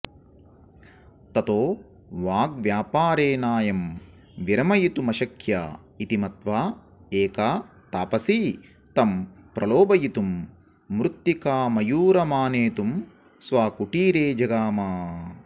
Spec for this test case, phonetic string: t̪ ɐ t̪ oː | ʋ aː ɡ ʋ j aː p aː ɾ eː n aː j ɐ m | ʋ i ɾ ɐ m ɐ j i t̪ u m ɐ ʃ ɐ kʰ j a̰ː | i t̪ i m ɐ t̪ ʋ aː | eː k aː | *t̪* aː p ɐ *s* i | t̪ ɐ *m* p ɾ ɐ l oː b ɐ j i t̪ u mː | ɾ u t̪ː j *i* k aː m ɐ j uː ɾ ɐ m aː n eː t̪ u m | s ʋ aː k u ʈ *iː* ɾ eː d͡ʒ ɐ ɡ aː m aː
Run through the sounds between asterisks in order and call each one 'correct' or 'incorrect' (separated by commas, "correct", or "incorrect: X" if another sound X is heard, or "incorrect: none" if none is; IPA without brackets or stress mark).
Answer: correct, correct, correct, correct, correct